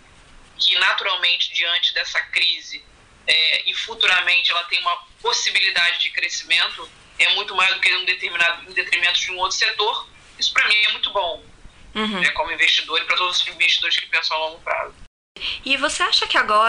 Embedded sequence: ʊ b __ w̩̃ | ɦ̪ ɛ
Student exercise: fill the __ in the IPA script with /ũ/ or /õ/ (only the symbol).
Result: õ